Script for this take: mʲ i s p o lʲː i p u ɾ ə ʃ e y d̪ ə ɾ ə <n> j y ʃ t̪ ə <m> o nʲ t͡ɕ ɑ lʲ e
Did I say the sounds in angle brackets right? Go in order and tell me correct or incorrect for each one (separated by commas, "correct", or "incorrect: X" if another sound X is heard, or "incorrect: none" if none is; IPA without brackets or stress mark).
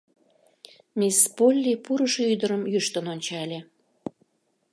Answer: incorrect: m, incorrect: n